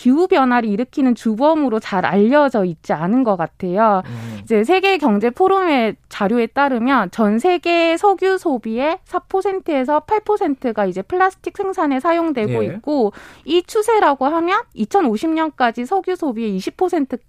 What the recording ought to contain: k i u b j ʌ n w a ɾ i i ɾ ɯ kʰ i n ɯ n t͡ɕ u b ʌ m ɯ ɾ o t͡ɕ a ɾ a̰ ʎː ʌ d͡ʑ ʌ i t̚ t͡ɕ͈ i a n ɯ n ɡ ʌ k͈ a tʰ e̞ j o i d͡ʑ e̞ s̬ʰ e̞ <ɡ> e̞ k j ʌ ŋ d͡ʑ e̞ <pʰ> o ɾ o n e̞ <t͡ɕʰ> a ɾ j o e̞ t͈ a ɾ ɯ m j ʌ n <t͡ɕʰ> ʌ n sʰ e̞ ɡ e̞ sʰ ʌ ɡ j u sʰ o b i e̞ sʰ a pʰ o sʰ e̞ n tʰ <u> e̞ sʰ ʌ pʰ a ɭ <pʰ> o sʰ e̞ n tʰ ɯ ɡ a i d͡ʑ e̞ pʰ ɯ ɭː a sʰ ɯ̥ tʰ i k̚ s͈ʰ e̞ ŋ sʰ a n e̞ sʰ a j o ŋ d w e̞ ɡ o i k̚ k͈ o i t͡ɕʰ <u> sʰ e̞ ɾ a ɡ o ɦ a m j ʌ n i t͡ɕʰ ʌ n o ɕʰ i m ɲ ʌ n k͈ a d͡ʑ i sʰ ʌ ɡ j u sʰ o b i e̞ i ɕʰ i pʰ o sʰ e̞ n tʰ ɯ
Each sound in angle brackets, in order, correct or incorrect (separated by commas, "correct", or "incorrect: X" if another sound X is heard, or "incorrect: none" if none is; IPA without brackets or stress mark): correct, correct, incorrect: t͡ɕ, incorrect: t͡ɕ, incorrect: ɯ, correct, correct